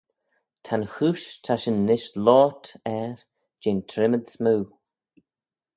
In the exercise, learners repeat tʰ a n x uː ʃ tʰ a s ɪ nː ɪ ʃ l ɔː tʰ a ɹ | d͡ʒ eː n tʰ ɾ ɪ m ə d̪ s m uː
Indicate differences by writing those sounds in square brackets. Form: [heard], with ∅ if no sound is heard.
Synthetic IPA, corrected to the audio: tʰ a n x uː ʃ tʰ a [ʃ] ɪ nː ɪ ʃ l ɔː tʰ [ɛ] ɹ | d͡ʒ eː n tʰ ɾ ɪ m ə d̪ s m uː